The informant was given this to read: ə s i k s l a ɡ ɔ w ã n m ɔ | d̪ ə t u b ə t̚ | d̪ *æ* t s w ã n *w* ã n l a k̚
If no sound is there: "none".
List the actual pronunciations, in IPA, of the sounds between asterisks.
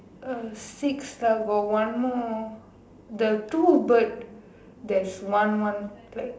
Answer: ɛ, w

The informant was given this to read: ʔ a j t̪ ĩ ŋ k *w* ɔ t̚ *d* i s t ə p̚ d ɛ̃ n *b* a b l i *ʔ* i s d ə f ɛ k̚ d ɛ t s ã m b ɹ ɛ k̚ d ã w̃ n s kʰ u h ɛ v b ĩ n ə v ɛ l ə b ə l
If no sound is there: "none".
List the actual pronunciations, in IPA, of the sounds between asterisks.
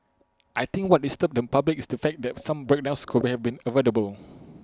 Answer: w, d, p, k

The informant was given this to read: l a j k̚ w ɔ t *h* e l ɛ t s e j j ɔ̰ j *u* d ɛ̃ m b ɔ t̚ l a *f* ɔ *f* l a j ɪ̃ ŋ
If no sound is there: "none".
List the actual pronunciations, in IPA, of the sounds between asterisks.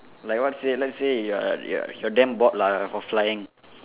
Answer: s, ɔ, f, f

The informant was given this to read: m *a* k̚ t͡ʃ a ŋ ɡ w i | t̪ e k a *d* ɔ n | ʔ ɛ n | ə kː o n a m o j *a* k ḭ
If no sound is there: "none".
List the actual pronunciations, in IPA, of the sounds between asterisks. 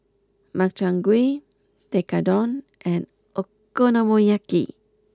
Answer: a, d, a

